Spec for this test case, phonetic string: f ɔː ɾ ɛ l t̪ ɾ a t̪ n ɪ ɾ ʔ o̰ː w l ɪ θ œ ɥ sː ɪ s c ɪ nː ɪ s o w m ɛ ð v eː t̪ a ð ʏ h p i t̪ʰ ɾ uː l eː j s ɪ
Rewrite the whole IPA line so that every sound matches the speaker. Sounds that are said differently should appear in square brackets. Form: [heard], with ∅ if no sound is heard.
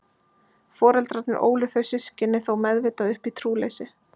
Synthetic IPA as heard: f ɔː ɾ ɛ l t̪ ɾ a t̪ n ɪ ɾ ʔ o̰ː w l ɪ θ œ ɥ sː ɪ s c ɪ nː ɪ [θ] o w m ɛ ð v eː t̪ a ð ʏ h p i t̪ʰ ɾ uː l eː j s ɪ